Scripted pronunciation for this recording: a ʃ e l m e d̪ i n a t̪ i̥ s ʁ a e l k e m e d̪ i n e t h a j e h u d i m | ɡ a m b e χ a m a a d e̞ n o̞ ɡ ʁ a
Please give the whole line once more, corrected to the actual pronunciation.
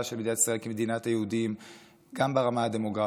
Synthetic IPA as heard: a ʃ e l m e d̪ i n a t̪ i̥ s ʁ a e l k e m e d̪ i n a t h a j e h u d i m | ɡ a m b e ʁ a m a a d e̞ m o̞ ɡ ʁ a

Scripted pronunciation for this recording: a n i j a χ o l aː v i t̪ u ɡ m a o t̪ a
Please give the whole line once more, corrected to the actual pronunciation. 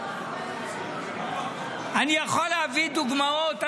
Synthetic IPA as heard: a n i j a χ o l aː v i d̪ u ɡ m a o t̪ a

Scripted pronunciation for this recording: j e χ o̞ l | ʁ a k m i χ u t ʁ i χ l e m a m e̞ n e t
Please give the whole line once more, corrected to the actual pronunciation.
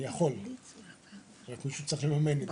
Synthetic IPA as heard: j a χ o̞ l | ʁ a k m i ʃ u t͡s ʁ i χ l e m a m e̞ n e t

